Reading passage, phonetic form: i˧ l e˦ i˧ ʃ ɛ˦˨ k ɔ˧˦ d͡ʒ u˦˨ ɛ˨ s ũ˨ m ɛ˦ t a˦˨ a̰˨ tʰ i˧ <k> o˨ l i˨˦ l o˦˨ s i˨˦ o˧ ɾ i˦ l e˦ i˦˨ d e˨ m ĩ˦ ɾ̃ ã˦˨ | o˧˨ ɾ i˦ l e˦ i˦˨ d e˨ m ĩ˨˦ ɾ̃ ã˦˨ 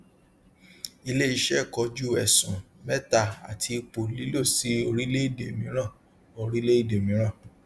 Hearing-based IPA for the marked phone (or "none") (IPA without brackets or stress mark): k͡p